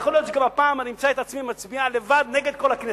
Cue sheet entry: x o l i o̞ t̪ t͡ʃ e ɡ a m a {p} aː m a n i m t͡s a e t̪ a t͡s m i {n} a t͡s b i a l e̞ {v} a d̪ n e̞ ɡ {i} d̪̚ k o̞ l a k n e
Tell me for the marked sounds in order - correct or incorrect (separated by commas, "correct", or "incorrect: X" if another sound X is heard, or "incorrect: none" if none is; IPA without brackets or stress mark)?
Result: correct, incorrect: m, correct, incorrect: e